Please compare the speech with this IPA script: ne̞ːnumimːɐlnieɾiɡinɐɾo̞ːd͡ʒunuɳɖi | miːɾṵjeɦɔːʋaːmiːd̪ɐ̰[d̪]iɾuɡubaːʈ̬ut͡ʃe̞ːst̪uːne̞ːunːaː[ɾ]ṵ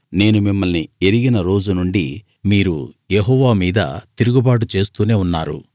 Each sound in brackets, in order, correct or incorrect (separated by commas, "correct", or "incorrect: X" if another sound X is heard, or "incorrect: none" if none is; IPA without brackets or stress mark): incorrect: t̪, correct